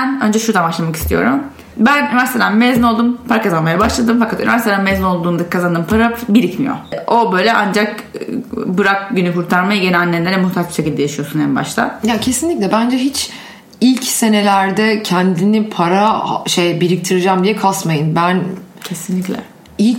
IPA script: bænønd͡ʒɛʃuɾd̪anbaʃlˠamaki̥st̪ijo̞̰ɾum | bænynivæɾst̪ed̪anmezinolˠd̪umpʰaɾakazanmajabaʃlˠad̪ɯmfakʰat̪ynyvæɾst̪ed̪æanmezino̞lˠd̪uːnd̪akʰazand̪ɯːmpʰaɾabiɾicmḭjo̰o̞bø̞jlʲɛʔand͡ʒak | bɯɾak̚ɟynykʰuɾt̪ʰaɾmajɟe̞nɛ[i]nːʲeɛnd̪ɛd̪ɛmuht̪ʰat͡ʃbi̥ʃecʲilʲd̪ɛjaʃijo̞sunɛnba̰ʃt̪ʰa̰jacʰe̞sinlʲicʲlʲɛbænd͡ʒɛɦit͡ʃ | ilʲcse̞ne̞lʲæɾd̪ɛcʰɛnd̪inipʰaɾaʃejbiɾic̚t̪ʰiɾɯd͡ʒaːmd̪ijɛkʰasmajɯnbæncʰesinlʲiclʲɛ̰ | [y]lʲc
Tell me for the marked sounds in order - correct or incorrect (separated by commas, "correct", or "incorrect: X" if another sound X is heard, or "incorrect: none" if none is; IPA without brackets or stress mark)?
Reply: incorrect: a, incorrect: i